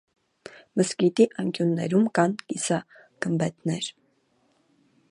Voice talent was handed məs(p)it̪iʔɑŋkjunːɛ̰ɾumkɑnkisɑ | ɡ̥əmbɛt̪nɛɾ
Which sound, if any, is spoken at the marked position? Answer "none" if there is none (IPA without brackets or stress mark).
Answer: k